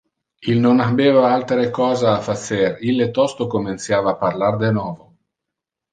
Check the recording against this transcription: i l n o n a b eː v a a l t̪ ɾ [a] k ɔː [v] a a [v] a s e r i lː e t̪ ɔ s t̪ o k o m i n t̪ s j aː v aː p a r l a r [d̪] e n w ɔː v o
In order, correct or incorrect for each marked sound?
incorrect: e, incorrect: z, incorrect: f, correct

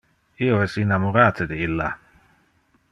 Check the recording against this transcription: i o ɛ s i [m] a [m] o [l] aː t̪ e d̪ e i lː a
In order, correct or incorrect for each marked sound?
incorrect: n, correct, incorrect: ɾ

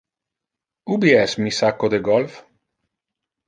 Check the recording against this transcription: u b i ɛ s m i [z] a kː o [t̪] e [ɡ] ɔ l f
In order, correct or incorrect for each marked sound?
incorrect: s, incorrect: d̪, correct

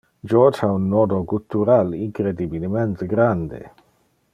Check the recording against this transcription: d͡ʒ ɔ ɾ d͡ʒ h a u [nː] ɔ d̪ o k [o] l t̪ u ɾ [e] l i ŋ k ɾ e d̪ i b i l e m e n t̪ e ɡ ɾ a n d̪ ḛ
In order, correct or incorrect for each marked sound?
correct, incorrect: u, incorrect: a

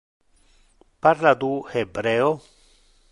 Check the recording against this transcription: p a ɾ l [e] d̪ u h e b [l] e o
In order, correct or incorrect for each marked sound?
incorrect: a, incorrect: ɾ

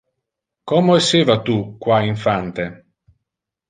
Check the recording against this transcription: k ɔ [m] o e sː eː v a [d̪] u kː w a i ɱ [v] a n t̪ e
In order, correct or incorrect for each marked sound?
correct, incorrect: t̪, incorrect: f

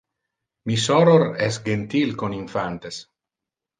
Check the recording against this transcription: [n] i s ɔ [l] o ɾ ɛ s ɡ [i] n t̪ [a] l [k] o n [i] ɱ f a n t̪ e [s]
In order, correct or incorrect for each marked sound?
incorrect: m, incorrect: ɾ, incorrect: e, incorrect: i, correct, correct, correct

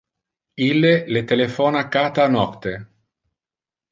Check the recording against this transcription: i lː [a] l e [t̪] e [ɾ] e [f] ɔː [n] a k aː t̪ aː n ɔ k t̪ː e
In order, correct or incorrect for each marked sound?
incorrect: e, correct, incorrect: l, correct, correct

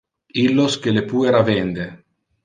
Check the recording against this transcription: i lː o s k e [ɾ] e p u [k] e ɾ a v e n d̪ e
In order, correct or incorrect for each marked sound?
incorrect: l, incorrect: none

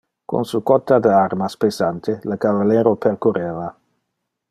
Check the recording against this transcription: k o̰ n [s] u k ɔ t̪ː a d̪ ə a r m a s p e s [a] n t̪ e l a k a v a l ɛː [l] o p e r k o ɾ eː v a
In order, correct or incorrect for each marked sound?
correct, correct, incorrect: ɾ

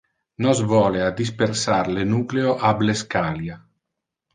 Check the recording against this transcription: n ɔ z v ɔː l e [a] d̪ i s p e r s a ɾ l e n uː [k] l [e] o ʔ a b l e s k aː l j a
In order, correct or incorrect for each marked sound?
correct, correct, correct

